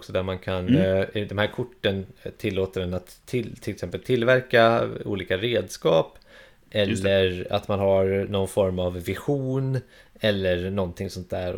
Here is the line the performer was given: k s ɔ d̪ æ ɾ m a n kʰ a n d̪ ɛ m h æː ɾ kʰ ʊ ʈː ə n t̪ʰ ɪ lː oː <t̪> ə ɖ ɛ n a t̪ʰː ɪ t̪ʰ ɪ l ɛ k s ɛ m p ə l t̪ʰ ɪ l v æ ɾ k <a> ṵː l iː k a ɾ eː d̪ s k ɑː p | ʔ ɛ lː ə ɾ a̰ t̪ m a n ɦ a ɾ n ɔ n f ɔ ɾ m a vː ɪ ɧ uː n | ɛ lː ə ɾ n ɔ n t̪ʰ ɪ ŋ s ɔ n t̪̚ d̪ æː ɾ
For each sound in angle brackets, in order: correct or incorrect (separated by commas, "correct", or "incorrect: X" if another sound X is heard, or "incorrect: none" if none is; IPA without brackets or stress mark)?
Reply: correct, correct